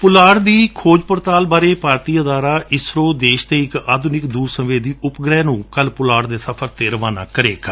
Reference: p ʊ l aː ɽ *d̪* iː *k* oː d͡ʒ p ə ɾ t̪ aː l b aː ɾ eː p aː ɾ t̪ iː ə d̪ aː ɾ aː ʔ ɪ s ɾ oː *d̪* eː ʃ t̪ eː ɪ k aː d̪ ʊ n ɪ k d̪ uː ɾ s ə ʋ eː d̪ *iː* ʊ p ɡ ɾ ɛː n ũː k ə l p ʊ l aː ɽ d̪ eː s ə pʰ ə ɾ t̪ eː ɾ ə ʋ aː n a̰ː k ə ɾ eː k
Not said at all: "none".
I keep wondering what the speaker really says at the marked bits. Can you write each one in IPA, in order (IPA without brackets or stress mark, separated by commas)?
d̪, kʰ, d̪, iː